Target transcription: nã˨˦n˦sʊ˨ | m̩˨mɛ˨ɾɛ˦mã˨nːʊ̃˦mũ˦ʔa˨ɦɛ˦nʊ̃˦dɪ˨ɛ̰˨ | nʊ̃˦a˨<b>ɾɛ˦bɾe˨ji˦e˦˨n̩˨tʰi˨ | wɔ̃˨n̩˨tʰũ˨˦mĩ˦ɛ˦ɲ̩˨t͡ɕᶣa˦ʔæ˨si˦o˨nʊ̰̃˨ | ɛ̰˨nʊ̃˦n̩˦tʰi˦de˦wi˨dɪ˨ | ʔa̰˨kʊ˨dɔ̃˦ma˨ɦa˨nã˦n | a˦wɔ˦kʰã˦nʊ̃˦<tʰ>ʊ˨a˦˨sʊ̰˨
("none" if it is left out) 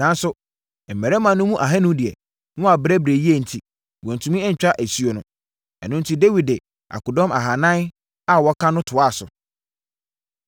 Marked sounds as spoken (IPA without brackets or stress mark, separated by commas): b, tʰ